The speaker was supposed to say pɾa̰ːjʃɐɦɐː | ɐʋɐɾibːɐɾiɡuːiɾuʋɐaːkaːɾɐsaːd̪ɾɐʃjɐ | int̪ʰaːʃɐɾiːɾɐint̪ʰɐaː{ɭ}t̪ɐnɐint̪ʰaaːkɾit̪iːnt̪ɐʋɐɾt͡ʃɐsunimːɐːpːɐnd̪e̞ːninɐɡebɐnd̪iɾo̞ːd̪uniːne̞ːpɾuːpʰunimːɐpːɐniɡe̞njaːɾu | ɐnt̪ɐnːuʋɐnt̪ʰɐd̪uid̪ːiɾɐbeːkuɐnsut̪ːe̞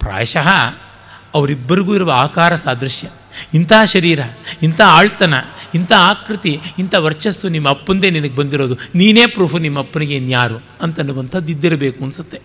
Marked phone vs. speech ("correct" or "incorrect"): correct